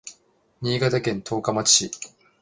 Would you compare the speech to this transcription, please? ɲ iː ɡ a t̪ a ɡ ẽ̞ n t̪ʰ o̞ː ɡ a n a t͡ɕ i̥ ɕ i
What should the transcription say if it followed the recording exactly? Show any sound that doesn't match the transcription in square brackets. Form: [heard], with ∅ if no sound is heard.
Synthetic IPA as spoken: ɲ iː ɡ a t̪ a [k] ẽ̞ n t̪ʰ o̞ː [k] a [m] a t͡ɕ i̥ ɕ i